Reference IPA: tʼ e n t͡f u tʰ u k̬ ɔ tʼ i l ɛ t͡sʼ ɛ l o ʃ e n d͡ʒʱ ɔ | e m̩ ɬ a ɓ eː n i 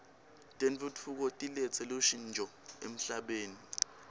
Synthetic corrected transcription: tʼ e n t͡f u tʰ u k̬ ɔ tʼ i l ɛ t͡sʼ ɛ l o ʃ i n d͡ʒʱ ɔ | e m̩ ɬ a ɓ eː n i